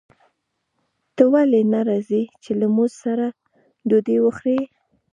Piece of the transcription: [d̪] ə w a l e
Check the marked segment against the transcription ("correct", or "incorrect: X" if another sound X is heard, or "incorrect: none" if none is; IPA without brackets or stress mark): incorrect: t̪